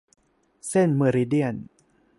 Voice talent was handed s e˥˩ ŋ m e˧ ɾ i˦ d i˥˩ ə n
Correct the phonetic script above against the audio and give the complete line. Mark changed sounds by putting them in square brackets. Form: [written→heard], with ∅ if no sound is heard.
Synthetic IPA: s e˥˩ [ŋ→n] m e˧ ɾ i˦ d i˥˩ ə n